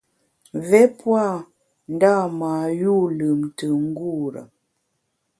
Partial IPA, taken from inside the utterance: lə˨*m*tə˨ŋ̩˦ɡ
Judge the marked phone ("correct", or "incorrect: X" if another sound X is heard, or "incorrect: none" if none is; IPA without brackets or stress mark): correct